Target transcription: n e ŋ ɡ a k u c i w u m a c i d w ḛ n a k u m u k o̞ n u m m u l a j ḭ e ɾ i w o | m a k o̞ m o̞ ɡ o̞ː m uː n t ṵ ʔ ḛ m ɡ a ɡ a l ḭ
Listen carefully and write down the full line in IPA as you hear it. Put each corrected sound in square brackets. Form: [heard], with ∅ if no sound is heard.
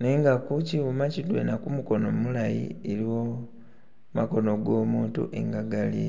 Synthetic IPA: n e ŋ ɡ a k u c i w u m a c i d w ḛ n a k u m u k o̞ n [o] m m u l a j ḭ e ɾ i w o | m a k o̞ [n] o̞ ɡ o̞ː m uː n t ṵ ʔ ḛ [ŋ] ɡ a ɡ a l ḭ